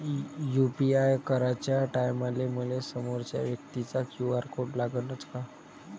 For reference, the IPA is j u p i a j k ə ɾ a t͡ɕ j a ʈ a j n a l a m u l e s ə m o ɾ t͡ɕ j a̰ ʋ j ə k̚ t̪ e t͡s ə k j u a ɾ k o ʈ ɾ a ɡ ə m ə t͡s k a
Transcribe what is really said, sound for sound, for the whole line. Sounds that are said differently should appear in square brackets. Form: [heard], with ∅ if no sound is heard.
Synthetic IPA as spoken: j u p i a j k ə ɾ a t͡ɕ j a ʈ a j [m] a l [e] m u l e s ə m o ɾ t͡ɕ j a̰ ʋ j ə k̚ t̪ [i] t͡s [a] k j u a ɾ k o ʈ [l] a ɡ ə [n] ə t͡s k a